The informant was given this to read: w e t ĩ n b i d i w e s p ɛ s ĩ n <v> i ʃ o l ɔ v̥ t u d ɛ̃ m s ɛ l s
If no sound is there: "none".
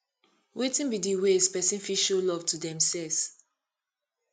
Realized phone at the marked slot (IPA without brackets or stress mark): f